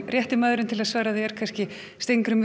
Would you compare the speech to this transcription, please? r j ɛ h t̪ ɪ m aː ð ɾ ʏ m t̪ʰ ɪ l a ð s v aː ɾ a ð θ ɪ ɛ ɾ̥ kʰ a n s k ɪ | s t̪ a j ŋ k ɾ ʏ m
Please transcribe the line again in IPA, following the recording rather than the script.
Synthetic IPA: r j ɛ h t̪ ɪ m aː ð ɾ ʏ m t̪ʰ ɪ l a ð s v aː ɾ a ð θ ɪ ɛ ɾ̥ kʰ a n s c ɪ | s t̪ e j ŋ k ɾ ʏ m